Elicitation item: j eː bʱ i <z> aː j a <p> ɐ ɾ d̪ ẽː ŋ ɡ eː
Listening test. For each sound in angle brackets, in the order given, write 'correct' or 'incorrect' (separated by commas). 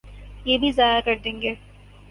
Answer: correct, incorrect